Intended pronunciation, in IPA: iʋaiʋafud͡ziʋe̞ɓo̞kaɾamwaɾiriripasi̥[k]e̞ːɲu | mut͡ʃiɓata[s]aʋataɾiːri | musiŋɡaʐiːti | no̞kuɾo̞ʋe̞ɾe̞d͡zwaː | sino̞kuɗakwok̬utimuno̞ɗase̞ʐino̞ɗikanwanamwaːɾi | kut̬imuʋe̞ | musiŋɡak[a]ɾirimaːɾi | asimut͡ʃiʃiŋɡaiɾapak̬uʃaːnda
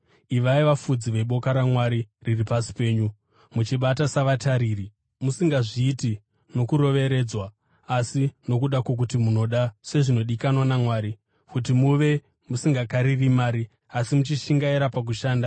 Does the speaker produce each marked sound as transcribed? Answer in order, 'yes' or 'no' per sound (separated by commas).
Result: no, yes, yes